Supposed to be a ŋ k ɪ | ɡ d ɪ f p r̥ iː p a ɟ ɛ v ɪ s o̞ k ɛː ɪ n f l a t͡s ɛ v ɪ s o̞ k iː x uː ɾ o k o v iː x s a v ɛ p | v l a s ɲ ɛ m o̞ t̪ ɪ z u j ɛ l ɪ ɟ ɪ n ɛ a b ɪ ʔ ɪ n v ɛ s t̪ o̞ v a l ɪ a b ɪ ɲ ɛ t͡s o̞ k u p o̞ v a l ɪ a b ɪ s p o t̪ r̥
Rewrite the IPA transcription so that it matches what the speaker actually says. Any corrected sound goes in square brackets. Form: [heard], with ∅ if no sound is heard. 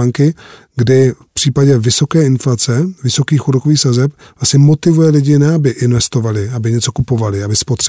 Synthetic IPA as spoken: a ŋ k ɪ | ɡ d ɪ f p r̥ iː p a ɟ ɛ v ɪ s o̞ k ɛː ɪ n f l a t͡s ɛ v ɪ s o̞ k iː x [u] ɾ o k o v iː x s a [z] ɛ p | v l a s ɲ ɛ m o̞ t̪ ɪ [v] u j ɛ l ɪ ɟ ɪ n ɛ a b ɪ ʔ ɪ n v ɛ s t̪ o̞ v a l ɪ a b ɪ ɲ ɛ t͡s o̞ k u p o̞ v a l ɪ a b ɪ s p o t̪ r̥